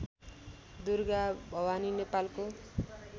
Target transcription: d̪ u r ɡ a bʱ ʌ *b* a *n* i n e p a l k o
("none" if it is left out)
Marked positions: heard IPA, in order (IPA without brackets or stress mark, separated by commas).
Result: w, n